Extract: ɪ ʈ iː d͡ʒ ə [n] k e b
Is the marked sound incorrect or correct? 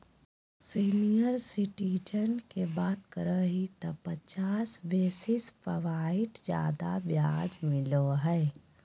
correct